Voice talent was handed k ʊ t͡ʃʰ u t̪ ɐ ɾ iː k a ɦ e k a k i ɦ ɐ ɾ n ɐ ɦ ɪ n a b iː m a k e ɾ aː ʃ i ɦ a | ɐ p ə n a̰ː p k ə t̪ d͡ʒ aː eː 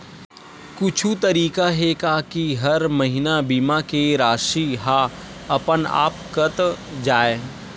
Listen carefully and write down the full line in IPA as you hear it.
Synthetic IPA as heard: k ʊ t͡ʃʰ u t̪ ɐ ɾ iː k a ɦ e k a k i ɦ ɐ ɾ m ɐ ɦ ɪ n a b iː m a k e ɾ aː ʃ i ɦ a | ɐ p ə n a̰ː p k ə t̪ d͡ʒ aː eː

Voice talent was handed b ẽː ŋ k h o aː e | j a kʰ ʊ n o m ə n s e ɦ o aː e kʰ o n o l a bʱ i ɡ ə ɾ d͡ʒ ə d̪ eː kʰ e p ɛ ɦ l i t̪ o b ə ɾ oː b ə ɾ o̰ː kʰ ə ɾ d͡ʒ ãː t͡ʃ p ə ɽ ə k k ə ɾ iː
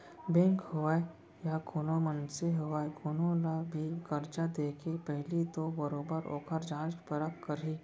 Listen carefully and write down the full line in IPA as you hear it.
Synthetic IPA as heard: b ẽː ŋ k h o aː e | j a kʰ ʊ n o m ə n s e ɦ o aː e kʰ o n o l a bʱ i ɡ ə ɾ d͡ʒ a d̪ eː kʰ e p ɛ ɦ l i t̪ o b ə ɾ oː b ə ɾ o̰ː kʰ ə ɾ d͡ʒ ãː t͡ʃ p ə ɾ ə k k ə ɾ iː

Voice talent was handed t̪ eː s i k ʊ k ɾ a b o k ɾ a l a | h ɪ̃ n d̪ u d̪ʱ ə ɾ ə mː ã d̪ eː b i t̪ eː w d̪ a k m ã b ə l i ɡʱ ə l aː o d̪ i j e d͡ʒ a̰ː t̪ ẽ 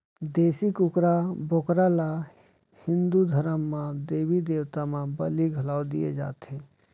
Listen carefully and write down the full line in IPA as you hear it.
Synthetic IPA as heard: d̪ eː s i k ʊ k ɾ a b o k ɾ a l a | h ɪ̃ n d̪ u d̪ʱ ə ɾ ə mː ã d̪ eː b i d̪ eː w t̪ a m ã b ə l i ɡʱ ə l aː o d̪ i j e d͡ʒ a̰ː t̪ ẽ

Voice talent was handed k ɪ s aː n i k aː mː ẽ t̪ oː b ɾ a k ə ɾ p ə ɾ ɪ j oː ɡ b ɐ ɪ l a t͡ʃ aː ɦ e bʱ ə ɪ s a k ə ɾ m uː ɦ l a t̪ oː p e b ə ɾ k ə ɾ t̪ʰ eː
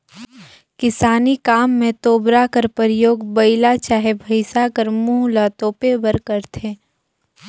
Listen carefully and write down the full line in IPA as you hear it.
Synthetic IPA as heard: k ɪ s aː n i k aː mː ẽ t̪ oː b ɾ a k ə ɾ p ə ɾ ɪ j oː ɡ b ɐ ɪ l a t͡ʃ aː ɦ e bʱ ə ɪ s a k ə ɾ m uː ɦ l a t̪ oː p e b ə ɾ k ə ɾ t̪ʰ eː

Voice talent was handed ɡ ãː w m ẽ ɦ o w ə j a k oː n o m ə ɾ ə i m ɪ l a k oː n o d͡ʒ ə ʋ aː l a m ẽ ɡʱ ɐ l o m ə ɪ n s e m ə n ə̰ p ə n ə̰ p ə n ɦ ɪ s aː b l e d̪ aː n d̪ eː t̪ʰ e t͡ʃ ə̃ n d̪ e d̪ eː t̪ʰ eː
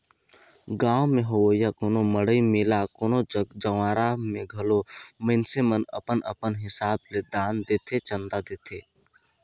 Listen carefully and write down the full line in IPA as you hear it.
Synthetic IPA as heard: ɡ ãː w m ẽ ɦ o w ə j a k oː n o m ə ɽ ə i m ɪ l a k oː n o d͡ʒ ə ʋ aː ɾ a m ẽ ɡʱ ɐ l o m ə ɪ n s e m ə n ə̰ p ə n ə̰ p ə n ɦ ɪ s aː b l e d̪ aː n d̪ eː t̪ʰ e t͡ʃ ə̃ n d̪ a d̪ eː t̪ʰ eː

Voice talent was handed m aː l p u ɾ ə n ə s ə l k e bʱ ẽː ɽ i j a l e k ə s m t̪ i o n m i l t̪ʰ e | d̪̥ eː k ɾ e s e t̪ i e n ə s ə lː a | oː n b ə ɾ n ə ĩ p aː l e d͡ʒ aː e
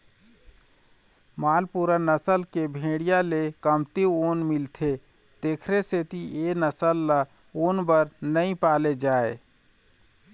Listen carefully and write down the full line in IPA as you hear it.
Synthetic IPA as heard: m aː l p u ɾ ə n ə s ə l k e bʱ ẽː ɽ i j a l e k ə m t̪ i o n m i l t̪ʰ e | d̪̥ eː kʰ ɾ e s e t̪ i e n ə s ə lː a | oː n b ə ɾ n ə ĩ p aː l e d͡ʒ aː e

